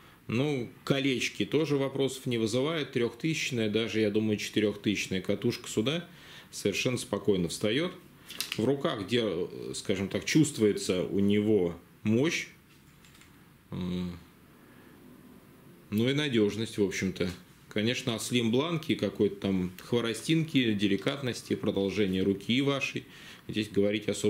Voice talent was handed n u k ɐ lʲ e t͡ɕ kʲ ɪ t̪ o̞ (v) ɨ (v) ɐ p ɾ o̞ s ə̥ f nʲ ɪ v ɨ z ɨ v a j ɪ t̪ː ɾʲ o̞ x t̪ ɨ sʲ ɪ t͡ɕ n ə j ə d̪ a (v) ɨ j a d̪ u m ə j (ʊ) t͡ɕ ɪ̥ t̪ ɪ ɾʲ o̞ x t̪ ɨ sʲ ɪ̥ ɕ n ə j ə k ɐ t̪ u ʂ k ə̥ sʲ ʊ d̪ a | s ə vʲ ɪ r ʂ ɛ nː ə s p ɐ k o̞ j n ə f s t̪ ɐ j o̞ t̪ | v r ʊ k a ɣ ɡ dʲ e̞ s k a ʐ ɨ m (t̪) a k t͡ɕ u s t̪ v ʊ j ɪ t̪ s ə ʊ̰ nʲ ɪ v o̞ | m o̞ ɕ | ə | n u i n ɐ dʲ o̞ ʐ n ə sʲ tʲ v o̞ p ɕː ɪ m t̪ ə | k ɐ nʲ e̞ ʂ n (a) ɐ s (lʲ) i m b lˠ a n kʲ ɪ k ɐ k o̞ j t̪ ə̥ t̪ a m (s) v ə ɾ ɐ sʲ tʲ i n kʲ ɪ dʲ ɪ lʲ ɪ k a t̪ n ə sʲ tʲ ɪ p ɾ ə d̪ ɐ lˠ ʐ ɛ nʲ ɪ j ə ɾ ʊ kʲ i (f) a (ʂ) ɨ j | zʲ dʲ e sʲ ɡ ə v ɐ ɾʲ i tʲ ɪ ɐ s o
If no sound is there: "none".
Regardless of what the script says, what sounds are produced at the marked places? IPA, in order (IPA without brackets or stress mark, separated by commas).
ʐ, v, ʐ, ʊ, t̪, ə, lʲ, x, v, ʂ